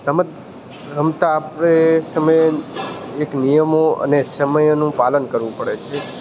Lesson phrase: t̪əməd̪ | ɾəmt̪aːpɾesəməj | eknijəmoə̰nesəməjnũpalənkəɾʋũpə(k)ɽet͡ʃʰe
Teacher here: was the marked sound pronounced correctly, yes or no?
no